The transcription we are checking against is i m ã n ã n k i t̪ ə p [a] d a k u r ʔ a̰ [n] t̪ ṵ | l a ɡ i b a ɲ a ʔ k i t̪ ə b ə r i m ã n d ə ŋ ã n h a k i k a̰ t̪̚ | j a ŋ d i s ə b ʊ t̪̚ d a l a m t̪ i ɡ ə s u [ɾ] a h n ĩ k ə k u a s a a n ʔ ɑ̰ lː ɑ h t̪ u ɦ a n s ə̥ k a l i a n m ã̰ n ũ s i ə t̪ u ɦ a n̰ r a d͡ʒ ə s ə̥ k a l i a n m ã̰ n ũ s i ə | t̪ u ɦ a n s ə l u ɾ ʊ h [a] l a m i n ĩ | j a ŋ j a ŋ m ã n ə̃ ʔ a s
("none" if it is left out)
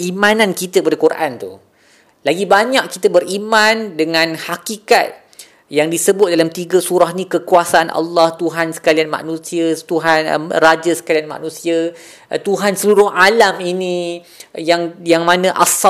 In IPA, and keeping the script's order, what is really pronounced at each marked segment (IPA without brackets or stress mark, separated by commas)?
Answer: a, n, ɾ, a